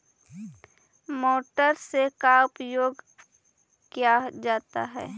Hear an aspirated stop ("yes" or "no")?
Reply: no